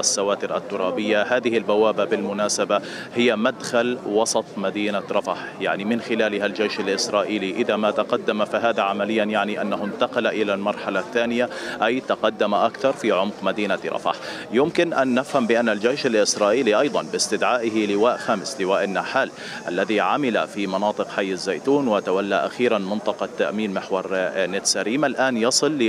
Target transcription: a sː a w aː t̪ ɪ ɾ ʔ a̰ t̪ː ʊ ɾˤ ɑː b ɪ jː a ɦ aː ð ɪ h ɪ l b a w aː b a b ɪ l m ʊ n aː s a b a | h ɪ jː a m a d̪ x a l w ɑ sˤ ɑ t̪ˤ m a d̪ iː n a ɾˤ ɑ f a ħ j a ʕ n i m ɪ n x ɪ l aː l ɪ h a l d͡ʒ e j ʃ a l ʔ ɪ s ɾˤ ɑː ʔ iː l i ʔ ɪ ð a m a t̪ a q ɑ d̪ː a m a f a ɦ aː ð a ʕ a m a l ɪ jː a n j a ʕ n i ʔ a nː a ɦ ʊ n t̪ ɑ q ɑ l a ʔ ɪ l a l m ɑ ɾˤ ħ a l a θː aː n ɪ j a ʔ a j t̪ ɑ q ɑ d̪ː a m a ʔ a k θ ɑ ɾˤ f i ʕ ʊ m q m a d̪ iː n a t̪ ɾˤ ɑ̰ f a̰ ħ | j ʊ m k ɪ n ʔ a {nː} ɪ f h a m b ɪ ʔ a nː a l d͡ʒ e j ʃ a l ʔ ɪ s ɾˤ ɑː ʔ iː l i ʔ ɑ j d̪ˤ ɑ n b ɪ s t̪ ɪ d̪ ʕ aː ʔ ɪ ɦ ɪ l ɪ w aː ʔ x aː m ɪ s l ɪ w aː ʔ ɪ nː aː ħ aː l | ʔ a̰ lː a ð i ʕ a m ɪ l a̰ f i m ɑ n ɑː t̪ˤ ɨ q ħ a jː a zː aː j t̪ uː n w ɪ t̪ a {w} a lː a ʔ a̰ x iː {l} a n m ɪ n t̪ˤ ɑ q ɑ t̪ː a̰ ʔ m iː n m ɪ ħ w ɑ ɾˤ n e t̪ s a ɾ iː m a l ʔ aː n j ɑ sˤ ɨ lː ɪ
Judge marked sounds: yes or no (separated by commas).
yes, yes, no